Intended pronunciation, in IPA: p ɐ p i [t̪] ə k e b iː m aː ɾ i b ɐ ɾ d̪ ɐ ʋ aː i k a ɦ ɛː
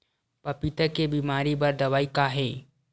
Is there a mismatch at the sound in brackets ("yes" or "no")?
no